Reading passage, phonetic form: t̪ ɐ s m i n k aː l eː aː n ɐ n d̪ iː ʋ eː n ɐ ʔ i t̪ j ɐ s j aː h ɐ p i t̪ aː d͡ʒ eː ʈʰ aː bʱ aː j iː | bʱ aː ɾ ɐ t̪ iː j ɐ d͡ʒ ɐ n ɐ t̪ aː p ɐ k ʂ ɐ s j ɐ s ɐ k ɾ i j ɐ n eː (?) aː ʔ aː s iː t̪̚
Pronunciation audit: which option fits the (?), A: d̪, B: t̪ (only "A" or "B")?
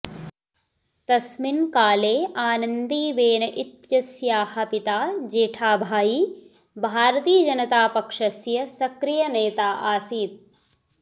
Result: B